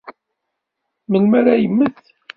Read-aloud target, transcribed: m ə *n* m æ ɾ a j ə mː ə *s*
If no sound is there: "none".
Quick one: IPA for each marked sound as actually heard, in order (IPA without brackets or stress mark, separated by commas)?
n, θ